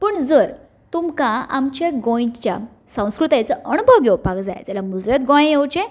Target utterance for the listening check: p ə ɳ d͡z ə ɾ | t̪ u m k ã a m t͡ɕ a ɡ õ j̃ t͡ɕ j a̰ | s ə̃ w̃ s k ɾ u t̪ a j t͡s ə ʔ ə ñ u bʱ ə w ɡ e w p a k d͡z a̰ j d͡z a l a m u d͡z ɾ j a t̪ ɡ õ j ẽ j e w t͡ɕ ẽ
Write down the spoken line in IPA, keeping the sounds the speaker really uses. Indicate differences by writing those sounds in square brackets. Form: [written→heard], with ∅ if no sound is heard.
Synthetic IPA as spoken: p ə ɳ d͡z ə ɾ | t̪ u m k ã a m t͡ɕ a ɡ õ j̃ t͡ɕ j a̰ | s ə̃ w̃ s k ɾ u t̪ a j t͡s ə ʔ ə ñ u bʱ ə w ɡ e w p a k d͡z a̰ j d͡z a l a m u d͡z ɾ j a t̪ ɡ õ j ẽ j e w t͡ɕ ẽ

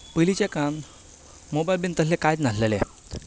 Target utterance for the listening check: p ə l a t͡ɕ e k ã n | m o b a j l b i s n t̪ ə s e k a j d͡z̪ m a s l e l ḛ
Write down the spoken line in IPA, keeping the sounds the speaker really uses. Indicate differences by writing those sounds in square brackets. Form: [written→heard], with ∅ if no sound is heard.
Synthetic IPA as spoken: p ə l [a→i] t͡ɕ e k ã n | m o b a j l b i [s→∅] n t̪ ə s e k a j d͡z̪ [m→n] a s l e l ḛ

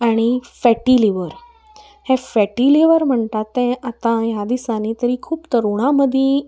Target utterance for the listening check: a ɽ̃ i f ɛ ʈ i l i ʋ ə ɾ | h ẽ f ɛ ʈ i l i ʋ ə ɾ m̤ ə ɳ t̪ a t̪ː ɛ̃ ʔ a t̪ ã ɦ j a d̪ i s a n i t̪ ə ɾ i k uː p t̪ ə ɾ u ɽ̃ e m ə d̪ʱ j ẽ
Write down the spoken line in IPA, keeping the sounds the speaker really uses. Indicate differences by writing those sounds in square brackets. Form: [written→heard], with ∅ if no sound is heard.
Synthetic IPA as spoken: a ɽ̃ i f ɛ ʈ i l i ʋ ə ɾ | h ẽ f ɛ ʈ i l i ʋ ə ɾ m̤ ə ɳ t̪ a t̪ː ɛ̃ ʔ a t̪ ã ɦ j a d̪ i s a n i t̪ ə ɾ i [k→kʰ] uː p t̪ ə ɾ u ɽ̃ [e→a] m ə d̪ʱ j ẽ

